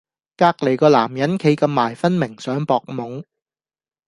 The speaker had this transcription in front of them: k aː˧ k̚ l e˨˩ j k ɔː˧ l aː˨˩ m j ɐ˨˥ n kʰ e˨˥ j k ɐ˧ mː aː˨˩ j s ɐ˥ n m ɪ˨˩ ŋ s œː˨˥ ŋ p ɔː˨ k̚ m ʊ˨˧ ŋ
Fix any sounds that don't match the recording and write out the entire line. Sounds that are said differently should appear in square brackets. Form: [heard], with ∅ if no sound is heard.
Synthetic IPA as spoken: k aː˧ k̚ l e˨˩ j k ɔː˧ l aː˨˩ m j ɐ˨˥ n kʰ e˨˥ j k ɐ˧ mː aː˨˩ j [f] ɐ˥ n m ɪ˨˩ ŋ s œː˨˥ ŋ p ɔː˨ k̚ m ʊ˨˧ ŋ